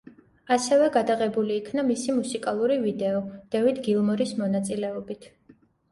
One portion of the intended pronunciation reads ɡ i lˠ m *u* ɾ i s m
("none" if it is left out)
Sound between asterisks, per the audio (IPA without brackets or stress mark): ɔ